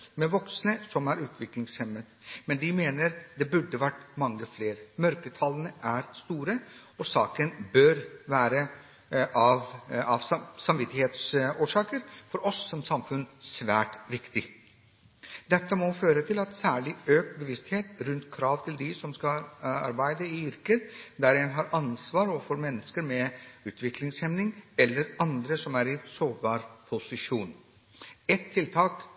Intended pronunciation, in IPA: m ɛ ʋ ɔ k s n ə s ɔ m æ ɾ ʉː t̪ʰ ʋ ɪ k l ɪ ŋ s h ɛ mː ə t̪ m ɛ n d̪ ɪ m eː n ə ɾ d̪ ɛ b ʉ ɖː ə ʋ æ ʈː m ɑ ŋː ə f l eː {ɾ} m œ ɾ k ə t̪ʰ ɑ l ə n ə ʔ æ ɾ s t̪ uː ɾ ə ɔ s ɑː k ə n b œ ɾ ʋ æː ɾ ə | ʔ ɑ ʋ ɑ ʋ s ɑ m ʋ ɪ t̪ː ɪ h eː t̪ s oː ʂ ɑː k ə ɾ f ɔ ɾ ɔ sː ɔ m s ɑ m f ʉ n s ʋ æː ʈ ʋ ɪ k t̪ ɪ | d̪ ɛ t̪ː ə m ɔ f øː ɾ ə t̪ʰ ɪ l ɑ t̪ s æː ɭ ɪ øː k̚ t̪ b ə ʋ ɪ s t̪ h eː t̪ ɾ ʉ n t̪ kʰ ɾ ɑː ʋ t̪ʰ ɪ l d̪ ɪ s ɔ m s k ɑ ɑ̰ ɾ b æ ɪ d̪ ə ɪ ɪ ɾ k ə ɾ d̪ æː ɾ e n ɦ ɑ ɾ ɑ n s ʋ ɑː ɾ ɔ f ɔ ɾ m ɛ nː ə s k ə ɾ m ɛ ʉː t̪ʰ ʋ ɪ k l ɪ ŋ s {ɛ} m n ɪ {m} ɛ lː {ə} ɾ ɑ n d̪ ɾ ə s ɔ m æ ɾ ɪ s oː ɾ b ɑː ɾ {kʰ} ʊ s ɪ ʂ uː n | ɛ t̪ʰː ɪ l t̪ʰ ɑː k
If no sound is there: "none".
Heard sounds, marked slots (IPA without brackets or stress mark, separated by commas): ɾ, ɛ, ŋ, ə, pʰ